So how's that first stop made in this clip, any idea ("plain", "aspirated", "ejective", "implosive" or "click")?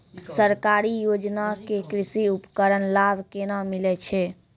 plain